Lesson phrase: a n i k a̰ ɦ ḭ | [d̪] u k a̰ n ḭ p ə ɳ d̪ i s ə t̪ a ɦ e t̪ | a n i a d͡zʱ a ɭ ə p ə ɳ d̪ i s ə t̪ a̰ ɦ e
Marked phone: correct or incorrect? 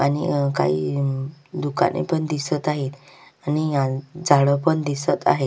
correct